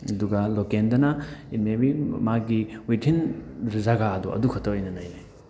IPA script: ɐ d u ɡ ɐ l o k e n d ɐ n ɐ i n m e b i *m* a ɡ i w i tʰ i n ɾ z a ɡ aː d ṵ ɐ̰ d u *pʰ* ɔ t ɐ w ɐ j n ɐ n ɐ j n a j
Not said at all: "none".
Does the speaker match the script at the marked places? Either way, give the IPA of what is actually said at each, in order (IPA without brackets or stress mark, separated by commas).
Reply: m, kʰ